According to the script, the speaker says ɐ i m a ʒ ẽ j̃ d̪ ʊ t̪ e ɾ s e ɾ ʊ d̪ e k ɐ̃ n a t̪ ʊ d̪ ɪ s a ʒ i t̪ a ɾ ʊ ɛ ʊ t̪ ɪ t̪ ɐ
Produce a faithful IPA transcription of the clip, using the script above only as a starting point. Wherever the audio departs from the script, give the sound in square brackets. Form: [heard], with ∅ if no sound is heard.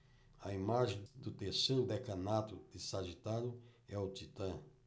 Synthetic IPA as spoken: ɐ i m a ʒ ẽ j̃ d̪ ʊ t̪ e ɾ s e ɾ ʊ d̪ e k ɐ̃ n a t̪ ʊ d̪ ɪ s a ʒ i t̪ a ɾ ʊ ɛ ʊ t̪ [i] t̪ [ɐ̃]